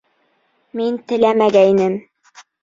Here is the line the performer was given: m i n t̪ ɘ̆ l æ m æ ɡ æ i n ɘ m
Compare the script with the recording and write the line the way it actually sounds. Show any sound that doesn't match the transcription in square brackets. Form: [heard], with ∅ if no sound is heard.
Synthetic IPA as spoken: m i n t̪ ɘ̆ l æ m æ ɡ æ i n ɘ m

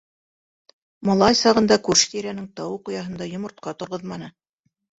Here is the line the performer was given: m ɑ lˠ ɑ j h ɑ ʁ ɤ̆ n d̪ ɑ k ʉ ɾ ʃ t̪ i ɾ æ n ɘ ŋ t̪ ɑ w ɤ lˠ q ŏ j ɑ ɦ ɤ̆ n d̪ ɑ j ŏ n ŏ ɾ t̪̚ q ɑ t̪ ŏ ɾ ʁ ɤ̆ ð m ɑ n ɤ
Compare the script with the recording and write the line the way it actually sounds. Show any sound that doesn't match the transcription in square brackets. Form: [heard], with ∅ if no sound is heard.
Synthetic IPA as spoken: m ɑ lˠ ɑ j [s] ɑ ʁ ɤ̆ n d̪ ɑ k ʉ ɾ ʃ t̪ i ɾ æ n ɘ ŋ t̪ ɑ w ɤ [∅] q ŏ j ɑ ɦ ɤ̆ n d̪ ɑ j ŏ [m] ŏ ɾ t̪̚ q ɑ t̪ ŏ ɾ ʁ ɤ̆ ð m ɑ n ɤ

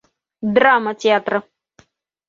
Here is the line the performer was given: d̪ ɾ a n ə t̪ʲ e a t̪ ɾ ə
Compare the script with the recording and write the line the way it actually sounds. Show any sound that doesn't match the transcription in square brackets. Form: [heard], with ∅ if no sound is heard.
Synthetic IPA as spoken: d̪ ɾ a [m] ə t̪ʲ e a t̪ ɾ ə

